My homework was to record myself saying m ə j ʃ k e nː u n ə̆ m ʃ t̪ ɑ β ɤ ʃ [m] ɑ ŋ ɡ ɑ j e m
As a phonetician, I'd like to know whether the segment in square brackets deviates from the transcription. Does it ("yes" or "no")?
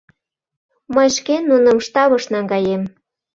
yes